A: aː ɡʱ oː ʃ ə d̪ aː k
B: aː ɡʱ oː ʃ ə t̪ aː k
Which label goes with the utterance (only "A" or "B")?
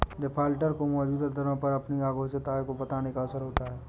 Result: B